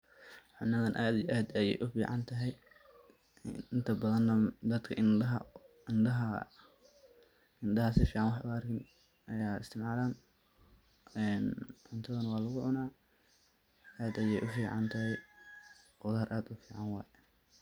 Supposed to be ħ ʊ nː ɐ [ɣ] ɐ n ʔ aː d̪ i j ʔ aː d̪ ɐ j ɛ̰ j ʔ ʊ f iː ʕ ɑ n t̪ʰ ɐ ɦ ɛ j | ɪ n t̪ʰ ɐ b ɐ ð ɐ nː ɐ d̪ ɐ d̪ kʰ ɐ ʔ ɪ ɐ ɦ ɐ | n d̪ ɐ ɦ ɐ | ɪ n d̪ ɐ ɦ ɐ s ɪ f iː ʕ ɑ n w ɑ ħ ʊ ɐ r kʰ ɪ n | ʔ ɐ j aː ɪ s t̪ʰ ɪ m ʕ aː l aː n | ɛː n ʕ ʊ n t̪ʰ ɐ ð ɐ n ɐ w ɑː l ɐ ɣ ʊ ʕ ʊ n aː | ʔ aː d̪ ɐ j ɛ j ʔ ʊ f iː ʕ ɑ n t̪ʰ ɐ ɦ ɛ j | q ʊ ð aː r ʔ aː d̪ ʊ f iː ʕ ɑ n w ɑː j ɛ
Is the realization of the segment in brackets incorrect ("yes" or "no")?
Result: yes